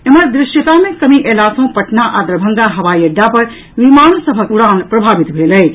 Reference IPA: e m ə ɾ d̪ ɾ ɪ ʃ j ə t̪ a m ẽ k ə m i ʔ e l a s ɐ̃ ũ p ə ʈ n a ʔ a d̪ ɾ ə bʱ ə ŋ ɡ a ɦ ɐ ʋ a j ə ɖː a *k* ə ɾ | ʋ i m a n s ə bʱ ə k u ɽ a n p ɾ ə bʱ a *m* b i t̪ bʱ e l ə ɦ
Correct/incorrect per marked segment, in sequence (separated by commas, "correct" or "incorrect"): incorrect, incorrect